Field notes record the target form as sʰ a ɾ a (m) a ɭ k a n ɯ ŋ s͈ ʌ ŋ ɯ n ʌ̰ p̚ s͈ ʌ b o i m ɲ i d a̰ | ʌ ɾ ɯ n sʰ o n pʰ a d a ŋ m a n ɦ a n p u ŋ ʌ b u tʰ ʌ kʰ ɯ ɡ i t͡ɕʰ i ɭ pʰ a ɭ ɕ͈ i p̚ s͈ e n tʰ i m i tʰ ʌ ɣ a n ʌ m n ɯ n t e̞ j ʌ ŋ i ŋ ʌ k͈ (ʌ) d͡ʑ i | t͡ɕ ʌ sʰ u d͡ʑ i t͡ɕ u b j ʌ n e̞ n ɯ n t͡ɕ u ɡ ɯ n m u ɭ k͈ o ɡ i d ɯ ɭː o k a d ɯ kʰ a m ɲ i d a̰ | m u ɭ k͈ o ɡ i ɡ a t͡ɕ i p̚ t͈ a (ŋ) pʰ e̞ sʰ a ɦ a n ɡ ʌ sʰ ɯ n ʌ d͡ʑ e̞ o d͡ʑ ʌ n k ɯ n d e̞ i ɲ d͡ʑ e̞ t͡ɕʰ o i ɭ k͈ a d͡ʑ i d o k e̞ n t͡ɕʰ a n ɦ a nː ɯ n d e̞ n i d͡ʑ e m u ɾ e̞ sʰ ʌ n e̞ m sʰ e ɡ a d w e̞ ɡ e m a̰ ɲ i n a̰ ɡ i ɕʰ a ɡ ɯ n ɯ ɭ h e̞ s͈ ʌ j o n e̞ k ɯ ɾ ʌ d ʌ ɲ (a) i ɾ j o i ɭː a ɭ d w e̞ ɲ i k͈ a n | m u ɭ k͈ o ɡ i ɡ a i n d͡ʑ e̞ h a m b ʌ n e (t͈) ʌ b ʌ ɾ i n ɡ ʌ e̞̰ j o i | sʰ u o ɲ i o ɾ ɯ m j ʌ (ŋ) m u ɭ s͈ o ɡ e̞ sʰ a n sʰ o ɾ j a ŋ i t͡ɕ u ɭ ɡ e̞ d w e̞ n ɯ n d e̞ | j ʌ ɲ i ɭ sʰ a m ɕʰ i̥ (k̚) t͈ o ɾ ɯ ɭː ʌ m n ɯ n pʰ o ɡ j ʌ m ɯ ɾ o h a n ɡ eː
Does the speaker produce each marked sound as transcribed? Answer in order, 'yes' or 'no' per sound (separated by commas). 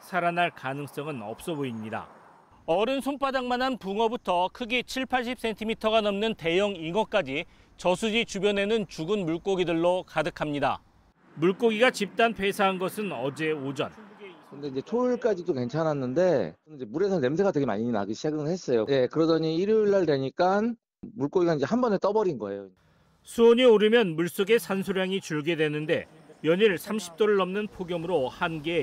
no, no, no, no, yes, no, no